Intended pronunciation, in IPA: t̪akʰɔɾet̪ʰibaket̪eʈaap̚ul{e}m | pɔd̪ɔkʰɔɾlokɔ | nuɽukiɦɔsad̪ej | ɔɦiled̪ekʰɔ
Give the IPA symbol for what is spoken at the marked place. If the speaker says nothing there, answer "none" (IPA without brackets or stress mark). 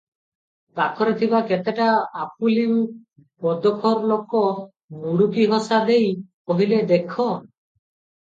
i